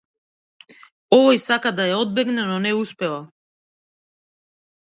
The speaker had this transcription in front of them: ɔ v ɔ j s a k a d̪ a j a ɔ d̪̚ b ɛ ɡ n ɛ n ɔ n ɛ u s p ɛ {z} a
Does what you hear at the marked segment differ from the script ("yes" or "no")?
yes